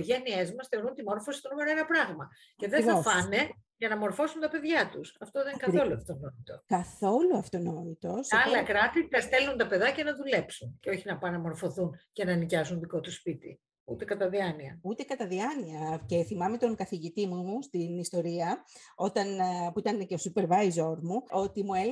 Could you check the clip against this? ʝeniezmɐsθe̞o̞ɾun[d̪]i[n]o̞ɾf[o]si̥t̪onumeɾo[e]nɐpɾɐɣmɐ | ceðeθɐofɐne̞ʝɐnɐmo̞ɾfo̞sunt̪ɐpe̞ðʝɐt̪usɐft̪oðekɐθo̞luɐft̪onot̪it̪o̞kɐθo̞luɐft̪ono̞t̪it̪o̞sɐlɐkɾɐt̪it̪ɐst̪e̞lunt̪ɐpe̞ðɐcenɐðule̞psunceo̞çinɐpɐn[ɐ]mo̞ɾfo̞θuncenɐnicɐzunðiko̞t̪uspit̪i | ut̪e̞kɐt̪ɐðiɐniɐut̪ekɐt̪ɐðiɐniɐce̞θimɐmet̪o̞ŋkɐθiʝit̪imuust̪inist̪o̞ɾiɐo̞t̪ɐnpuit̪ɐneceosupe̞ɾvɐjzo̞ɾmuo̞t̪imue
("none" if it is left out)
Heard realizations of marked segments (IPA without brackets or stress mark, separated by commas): t̪, m, o, e, ɐ